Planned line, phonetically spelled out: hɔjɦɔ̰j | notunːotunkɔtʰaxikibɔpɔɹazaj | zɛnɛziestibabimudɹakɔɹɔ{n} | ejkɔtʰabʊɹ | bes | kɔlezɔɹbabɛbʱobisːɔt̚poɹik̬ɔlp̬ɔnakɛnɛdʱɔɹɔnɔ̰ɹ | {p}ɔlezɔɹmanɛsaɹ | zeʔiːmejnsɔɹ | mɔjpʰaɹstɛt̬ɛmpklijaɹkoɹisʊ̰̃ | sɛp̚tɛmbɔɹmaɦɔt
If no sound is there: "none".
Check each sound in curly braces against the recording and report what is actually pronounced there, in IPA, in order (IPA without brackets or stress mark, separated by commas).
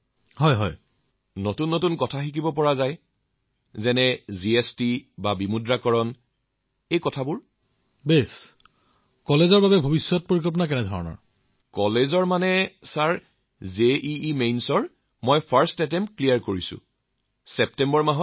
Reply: n, k